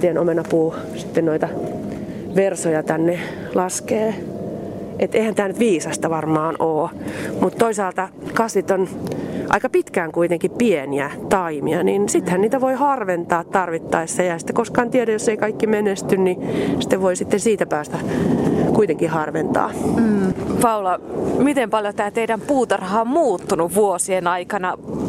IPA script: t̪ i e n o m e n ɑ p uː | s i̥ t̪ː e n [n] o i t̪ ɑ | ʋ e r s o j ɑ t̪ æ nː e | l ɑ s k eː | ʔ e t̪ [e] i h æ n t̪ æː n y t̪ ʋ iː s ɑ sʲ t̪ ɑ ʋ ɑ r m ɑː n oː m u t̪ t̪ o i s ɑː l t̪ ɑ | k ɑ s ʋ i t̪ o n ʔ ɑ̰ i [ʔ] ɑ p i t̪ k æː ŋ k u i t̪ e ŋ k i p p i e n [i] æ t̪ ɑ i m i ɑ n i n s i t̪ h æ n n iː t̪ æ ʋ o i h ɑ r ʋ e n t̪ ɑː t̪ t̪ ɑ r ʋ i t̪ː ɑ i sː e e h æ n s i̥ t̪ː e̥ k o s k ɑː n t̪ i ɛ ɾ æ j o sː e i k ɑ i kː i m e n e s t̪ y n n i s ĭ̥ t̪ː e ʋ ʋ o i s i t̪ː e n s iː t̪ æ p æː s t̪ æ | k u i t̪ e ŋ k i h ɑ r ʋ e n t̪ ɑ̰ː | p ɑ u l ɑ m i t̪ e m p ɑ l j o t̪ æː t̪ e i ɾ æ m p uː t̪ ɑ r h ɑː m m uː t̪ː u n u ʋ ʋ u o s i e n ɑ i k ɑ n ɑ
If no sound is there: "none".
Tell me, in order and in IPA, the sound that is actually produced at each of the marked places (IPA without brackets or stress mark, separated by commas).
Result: n, e, k, i